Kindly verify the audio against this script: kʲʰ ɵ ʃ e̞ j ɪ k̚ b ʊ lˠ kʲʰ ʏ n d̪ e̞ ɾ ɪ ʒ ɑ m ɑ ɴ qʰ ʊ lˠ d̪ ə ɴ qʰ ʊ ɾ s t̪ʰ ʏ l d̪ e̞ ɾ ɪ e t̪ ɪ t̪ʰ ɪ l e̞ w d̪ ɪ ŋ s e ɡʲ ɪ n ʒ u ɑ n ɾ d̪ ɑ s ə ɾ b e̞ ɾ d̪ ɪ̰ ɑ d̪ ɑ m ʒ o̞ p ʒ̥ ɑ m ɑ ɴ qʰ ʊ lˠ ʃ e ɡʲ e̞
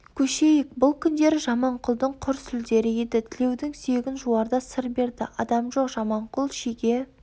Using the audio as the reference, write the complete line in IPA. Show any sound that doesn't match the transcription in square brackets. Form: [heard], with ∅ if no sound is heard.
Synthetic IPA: kʲʰ ɵ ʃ e̞ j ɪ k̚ b ʊ lˠ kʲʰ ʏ n d̪ e̞ ɾ ɪ ʒ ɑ m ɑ ɴ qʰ ʊ lˠ d̪ ə ɴ qʰ ʊ ɾ s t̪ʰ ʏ l d̪ e̞ ɾ ɪ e [d̪] ɪ t̪ʰ ɪ l e̞ w d̪ ɪ ŋ s e ɡʲ ɪ n ʒ u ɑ [∅] ɾ d̪ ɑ s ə ɾ b e̞ ɾ d̪ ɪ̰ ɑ d̪ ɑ m ʒ o̞ [q] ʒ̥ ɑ m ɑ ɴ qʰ ʊ lˠ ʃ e ɡʲ e̞

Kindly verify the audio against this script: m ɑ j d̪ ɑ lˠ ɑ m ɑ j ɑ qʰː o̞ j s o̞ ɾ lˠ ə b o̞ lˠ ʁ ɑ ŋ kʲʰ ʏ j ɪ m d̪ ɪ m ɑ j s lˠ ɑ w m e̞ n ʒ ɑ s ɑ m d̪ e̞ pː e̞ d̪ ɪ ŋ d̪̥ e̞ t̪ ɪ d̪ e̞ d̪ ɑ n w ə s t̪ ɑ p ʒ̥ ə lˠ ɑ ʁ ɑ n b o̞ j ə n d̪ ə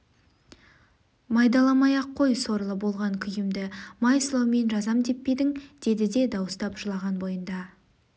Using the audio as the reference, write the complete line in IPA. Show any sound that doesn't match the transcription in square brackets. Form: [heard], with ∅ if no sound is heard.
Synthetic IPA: m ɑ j d̪ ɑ lˠ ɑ m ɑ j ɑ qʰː o̞ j s o̞ ɾ lˠ ə b o̞ lˠ ʁ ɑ ŋ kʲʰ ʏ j ɪ m d̪ ɪ m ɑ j s lˠ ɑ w m e̞ n ʒ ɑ [z] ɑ m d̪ e̞ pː e̞ d̪ ɪ ŋ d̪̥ e̞ [d̪] ɪ d̪ e̞ d̪ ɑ [∅] w ə s t̪ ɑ p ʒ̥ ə lˠ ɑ ʁ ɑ n b o̞ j ə n d̪ [ɑ]

